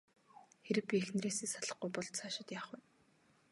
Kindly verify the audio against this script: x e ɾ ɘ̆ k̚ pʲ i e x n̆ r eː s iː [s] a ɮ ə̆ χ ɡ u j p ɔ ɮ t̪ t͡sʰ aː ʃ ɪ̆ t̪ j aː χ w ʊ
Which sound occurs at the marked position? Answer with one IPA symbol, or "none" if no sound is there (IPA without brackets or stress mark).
s